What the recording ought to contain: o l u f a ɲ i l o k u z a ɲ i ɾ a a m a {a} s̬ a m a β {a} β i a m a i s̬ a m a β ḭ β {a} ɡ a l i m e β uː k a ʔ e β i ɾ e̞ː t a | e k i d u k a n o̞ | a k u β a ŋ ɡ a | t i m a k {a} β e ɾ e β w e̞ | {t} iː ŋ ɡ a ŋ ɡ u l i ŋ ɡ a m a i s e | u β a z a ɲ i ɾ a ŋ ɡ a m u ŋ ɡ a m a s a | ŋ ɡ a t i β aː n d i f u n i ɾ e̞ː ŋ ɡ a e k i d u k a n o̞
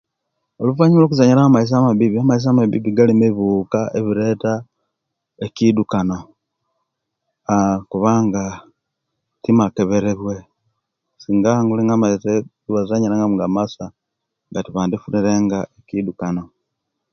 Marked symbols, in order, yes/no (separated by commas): no, no, no, no, no